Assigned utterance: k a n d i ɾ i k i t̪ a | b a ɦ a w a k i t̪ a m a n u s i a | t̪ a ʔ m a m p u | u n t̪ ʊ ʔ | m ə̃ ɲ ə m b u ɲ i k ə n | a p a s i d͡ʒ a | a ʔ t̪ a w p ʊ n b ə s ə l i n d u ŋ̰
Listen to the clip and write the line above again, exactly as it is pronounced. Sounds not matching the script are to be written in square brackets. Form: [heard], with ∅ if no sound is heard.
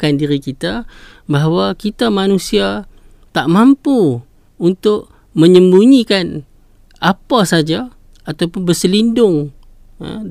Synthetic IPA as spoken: k a n d i ɾ i k i t̪ a | b a ɦ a w a k i t̪ a m a n u s i a | t̪ a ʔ m a m p u | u n t̪ ʊ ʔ | m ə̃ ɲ ə m b u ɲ i k [a] n | a p a s [a] d͡ʒ a | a [∅] t̪ a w p ʊ n b ə s ə l i n d [ʊ] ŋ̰